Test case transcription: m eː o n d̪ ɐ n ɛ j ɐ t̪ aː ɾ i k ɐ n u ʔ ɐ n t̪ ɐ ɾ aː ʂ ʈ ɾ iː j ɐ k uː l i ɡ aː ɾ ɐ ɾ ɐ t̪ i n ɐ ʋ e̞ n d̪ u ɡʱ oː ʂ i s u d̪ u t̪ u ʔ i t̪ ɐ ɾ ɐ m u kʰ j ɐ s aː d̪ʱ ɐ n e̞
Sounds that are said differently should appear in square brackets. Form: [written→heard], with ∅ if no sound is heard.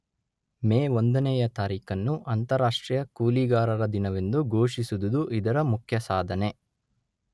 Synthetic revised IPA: m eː o n d̪ ɐ n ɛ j ɐ t̪ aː ɾ [i→iː] k ɐ [n→nː] u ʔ ɐ n t̪ ɐ ɾ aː ʂ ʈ ɾ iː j ɐ k uː l i ɡ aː ɾ ɐ ɾ ɐ [t̪→d̪] i n ɐ ʋ e̞ n d̪ u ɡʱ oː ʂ i s u d̪ u [t̪→d̪] u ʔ i [t̪→d̪] ɐ ɾ ɐ m u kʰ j ɐ s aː d̪ʱ ɐ n e̞